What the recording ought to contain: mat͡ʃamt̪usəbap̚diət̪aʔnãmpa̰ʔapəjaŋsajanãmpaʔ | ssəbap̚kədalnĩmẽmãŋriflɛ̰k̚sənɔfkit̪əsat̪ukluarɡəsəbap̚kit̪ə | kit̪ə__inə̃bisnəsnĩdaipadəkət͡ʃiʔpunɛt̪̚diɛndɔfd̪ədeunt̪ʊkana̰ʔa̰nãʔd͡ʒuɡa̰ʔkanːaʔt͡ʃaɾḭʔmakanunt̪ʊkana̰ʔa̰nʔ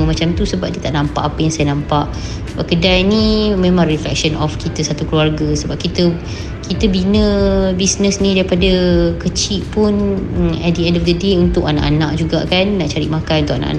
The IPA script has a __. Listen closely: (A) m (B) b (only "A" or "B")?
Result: B